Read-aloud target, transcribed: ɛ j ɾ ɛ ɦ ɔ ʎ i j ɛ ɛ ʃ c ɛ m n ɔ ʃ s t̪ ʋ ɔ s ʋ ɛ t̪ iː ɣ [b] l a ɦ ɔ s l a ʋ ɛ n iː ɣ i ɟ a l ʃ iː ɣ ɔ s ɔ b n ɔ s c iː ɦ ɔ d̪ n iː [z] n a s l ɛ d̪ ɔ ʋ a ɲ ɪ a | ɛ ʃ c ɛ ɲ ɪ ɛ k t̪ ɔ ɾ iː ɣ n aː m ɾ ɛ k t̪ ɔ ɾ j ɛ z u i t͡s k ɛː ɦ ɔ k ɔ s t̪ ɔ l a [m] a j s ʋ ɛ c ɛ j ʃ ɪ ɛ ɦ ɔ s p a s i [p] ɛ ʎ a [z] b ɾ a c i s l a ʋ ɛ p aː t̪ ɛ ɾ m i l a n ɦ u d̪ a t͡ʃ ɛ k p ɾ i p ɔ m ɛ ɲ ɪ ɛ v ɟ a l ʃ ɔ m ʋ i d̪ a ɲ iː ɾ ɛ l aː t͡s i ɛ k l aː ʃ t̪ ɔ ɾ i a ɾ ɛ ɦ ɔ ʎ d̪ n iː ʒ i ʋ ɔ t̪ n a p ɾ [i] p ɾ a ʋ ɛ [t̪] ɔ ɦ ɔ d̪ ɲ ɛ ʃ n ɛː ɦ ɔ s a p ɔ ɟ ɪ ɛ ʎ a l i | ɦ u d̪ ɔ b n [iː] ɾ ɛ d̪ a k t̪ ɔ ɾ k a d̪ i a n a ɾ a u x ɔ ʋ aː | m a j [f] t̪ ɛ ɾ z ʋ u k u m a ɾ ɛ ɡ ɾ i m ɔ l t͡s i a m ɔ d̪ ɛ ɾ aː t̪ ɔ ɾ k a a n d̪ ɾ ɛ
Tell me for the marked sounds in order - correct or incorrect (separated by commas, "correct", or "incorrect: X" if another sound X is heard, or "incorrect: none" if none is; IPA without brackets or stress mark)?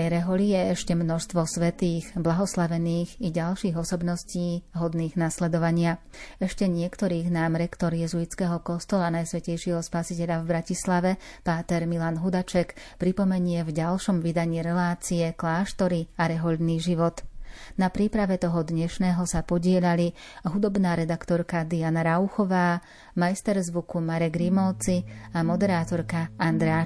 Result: correct, incorrect: ɣ, incorrect: n, incorrect: c, incorrect: v, incorrect: iː, correct, incorrect: aː, incorrect: s